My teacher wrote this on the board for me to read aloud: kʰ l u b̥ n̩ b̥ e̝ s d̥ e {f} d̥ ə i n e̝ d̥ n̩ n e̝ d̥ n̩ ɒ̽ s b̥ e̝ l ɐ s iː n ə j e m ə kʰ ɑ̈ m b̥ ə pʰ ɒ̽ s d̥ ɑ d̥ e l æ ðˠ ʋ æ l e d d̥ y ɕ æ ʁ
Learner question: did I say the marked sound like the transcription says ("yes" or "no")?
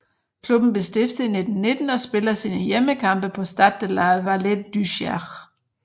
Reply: yes